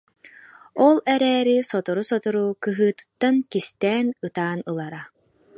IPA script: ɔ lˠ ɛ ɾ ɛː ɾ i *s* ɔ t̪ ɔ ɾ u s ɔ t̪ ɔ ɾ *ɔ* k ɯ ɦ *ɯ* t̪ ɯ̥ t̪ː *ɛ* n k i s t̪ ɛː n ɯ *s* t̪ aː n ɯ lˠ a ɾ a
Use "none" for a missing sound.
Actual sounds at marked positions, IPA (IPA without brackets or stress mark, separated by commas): s, u, ɯː, a, none